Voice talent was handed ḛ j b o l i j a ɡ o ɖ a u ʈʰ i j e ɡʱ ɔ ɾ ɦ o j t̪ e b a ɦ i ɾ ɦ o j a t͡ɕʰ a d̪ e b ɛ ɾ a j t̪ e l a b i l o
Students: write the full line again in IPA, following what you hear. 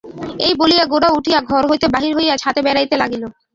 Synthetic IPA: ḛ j b o l i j a ɡ o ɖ a u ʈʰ i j a ɡʱ ɔ ɾ ɦ o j t̪ e b a ɦ i ɾ ɦ o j a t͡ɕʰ a t̪ e b ɛ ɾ a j t̪ e l a ɡ i l o